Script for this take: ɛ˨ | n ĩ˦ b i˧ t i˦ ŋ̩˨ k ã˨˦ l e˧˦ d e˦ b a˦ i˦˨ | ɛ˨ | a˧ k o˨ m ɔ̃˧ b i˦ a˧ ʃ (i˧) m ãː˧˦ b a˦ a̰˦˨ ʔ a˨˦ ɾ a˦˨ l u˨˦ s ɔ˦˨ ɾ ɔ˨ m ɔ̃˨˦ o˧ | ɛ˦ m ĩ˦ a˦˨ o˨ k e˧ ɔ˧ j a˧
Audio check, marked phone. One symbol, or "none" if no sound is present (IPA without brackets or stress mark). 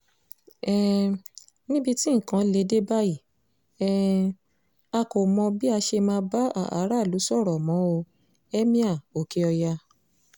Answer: e˧